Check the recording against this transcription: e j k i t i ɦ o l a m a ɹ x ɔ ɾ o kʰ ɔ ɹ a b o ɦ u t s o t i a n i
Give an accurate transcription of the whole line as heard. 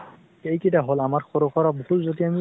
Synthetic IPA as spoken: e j k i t a ɦ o l a m a ɹ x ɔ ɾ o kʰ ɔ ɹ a b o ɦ u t z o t i a m i